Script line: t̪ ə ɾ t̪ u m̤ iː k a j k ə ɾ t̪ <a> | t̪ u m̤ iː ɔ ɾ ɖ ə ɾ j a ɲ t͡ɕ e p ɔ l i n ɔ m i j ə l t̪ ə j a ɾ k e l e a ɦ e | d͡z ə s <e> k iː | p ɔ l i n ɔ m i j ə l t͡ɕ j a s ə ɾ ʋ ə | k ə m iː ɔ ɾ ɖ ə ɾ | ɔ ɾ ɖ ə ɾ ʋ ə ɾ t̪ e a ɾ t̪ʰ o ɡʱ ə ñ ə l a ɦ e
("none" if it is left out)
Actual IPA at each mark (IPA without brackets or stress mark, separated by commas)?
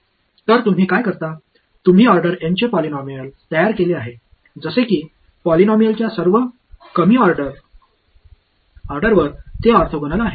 a, e